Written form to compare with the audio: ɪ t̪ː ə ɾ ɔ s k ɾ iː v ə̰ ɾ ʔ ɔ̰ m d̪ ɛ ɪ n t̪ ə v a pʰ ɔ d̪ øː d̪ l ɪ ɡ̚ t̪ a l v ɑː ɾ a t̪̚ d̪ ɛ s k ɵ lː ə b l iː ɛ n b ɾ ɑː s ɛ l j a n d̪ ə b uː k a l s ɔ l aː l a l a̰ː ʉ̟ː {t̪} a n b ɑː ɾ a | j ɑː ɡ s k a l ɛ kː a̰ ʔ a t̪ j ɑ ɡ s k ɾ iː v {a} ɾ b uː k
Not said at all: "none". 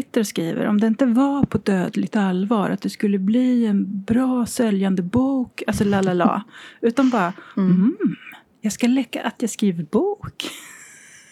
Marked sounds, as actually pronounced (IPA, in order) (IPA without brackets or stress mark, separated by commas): t̪, ə